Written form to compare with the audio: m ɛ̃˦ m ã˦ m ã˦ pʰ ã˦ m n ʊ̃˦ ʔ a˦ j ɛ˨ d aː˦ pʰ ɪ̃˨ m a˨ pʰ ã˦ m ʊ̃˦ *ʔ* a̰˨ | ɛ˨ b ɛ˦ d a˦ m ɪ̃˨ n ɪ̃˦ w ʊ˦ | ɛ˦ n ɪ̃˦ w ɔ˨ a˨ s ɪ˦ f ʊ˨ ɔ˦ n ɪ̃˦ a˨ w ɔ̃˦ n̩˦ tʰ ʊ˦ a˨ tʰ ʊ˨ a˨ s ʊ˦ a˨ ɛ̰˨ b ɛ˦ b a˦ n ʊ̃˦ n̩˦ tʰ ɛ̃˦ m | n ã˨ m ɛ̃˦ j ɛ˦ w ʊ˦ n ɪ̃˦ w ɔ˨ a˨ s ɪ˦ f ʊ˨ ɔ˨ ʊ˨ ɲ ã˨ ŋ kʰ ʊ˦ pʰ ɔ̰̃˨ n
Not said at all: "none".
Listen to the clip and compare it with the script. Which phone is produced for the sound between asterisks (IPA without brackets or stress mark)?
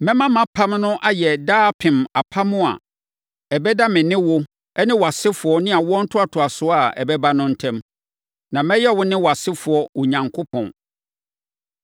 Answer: none